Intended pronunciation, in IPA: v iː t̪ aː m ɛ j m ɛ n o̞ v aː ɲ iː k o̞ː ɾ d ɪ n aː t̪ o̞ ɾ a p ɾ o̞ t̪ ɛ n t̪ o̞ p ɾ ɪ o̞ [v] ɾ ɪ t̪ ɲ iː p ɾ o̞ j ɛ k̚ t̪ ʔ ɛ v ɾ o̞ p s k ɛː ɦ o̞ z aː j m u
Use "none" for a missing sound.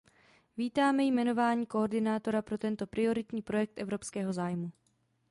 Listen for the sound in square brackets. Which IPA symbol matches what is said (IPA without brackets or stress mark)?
none